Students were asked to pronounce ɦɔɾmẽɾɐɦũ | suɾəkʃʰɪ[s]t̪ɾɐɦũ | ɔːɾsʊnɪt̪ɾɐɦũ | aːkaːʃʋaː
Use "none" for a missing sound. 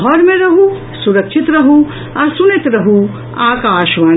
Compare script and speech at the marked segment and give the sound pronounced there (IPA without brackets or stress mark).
none